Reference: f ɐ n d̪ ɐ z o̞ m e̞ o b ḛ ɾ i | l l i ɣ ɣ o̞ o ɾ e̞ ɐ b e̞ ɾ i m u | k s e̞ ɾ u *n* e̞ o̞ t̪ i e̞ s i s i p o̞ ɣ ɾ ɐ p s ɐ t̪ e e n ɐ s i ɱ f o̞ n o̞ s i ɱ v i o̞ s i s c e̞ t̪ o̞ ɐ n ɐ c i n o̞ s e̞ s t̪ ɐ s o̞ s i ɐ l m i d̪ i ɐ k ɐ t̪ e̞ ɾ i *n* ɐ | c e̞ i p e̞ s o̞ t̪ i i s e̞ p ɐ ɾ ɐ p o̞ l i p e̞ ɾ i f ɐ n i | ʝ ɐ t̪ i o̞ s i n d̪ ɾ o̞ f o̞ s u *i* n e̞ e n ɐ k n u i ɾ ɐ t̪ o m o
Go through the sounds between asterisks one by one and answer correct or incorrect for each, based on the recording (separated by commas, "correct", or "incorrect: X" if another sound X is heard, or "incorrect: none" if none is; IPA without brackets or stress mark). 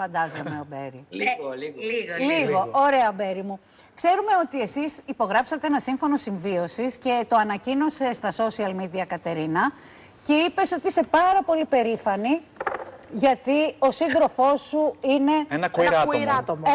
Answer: incorrect: m, correct, correct